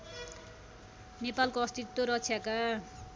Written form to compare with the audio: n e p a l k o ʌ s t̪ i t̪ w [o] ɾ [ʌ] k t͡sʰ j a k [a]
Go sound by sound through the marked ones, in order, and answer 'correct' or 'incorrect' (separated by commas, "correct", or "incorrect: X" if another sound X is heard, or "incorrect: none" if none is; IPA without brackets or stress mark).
correct, correct, correct